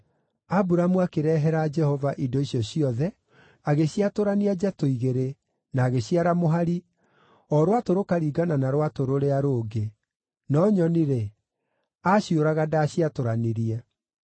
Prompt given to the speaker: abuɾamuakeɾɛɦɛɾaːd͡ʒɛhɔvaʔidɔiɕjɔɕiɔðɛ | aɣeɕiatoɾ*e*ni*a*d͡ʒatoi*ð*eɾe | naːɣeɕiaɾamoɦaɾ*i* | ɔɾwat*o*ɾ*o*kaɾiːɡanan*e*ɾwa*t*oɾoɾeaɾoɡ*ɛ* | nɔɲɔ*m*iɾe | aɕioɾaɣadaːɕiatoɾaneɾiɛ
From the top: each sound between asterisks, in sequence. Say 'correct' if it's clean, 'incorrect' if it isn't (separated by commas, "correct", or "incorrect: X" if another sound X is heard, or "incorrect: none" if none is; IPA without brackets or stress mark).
incorrect: a, correct, incorrect: ɣ, correct, correct, correct, incorrect: a, correct, incorrect: e, incorrect: n